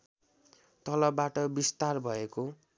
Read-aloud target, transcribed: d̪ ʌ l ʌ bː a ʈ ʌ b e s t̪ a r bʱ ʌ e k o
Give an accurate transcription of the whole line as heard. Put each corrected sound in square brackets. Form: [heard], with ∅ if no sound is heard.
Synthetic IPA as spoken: [t̪] ʌ l ʌ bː a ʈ ʌ b [i] s t̪ a r bʱ ʌ e k o